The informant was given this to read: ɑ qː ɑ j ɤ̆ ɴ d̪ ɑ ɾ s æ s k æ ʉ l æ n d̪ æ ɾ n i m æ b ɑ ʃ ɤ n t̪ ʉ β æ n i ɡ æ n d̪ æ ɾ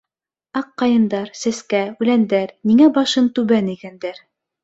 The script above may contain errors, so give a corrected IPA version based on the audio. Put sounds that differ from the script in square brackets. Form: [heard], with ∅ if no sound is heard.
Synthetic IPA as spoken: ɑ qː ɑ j ɤ̆ [n] d̪ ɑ ɾ s æ s k æ ʉ l æ n d̪ æ ɾ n i [ŋ] æ b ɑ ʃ ɤ n t̪ ʉ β æ n i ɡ æ n d̪ æ ɾ